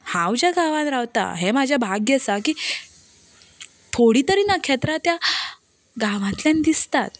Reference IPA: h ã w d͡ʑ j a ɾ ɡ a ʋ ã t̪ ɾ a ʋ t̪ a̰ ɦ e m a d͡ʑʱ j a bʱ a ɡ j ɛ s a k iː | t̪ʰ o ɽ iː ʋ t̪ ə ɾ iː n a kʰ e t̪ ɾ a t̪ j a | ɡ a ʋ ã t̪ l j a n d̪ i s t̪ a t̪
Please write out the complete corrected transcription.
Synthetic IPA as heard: h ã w d͡ʑ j a ɡ a ʋ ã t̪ ɾ a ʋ t̪ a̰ ɦ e m a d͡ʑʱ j a bʱ a ɡ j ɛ s a k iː | t̪ʰ o ɽ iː t̪ ə ɾ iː n a kʰ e t̪ ɾ a t̪ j a | ɡ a ʋ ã t̪ l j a n d̪ i s t̪ a t̪

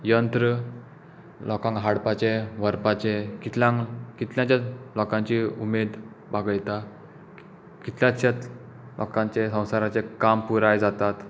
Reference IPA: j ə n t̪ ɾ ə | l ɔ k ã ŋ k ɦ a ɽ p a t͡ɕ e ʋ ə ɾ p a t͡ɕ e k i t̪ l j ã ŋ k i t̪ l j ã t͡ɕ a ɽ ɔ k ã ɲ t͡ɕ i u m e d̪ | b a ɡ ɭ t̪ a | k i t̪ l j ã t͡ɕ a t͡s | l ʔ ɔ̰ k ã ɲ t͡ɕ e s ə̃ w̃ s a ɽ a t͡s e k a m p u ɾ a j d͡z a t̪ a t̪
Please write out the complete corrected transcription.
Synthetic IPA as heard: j ə n t̪ ɾ ə | l ɔ k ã ŋ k ɦ a ɽ p a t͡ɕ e ʋ ə ɾ p a t͡ɕ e k i t̪ l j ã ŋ k i t̪ l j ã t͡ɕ a l ɔ k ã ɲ t͡ɕ i u m e d̪ | b a ɡ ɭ t̪ a | k i t̪ l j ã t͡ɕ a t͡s | l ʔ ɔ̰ k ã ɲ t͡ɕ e s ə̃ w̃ s a ɾ a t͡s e k a m p u ɾ a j d͡z a t̪ a t̪

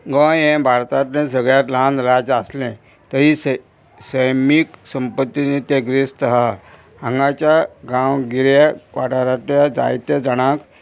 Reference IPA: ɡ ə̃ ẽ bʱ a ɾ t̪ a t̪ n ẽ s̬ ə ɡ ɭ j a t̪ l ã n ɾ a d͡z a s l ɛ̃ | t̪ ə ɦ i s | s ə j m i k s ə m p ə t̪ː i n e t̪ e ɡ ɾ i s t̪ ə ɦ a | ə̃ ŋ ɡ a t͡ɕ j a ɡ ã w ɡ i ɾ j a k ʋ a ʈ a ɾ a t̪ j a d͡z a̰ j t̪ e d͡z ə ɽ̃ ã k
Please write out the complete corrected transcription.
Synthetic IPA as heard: ɡ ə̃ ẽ bʱ a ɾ t̪ a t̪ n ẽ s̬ ə ɡ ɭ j a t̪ l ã n ɾ a d͡z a s l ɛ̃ | t̪ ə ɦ i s | s ə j m i k s ə m p ə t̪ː i n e t̪ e ɡ ɾ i s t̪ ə ɦ a | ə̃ ŋ ɡ a t͡ɕ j a ɡ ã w ɡ i ɾ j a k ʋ a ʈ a ɾ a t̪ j a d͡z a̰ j t̪ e d͡z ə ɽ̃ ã k

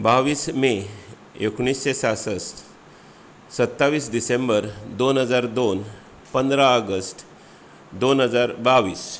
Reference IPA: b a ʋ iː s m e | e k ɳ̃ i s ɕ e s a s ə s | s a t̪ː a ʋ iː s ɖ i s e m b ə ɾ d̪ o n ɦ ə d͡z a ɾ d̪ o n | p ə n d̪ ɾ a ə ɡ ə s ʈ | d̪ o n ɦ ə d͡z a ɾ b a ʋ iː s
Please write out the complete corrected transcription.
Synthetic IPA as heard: b a ʋ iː s m e | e k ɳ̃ i s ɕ e s a s ə s | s ə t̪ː a ʋ iː s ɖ i s e m b ə ɾ d̪ o n ɦ ə d͡z a ɾ d̪ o n | p ə n d̪ ɾ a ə ɡ ə s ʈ | d̪ o n ɦ ə d͡z a ɾ b a ʋ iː s

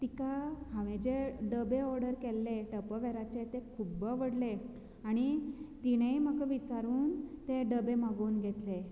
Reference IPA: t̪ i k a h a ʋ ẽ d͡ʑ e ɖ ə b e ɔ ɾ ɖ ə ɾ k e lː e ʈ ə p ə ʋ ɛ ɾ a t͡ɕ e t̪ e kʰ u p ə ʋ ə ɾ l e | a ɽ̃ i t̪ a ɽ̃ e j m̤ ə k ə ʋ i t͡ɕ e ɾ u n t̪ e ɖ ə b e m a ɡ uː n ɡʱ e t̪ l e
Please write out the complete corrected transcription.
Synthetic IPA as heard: t̪ i k a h a ʋ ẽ d͡ʑ e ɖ ə b e ɔ ɾ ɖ ə ɾ k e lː e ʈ ə p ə ʋ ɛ ɾ a t͡ɕ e t̪ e kʰ u b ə ʋ ə ɽ l e | a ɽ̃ i t̪ i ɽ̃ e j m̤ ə k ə ʋ i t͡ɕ a ɾ uː n t̪ e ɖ ə b e m a ɡ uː n ɡʱ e t̪ l e

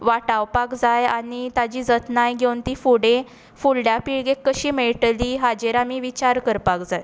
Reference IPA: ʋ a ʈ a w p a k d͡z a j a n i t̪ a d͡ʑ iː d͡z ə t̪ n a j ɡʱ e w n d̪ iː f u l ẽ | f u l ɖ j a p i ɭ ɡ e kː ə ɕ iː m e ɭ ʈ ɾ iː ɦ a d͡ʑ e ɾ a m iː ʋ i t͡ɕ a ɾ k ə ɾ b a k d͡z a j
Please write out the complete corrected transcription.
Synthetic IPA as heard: ʋ a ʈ a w p a k d͡z a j a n i t̪ a d͡ʑ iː d͡z ə t̪ n a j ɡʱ e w n t̪ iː f u ɽ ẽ | f u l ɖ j a p i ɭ ɡ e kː ə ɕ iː m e ɭ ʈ l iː ɦ a d͡ʑ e ɾ a m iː ʋ i t͡ɕ a ɾ k ə ɾ p a k d͡z a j

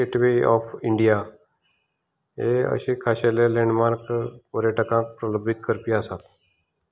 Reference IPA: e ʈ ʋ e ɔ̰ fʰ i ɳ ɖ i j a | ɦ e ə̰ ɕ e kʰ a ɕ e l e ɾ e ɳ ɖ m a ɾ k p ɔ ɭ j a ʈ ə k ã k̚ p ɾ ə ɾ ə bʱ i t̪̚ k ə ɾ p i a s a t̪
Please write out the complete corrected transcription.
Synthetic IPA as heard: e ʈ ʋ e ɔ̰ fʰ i ɳ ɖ i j a | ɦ e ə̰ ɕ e kʰ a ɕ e l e l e ɳ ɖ m a ɾ k p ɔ ɾ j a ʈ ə k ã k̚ p ɾ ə l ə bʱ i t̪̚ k ə ɾ p i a s a t̪

